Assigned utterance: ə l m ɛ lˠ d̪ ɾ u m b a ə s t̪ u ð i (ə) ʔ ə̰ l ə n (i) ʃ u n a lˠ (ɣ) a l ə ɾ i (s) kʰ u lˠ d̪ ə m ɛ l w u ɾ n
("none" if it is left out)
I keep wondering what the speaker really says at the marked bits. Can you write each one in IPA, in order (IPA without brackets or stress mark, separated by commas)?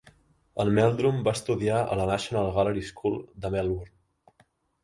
a, a, ɣ, s